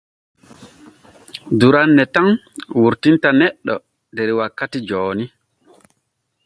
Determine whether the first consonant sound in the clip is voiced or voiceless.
voiced